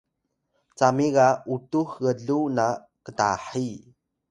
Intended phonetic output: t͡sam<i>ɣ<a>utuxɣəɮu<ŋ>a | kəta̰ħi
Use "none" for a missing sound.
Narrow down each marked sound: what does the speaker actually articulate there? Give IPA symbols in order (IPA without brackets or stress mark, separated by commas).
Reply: i, a, n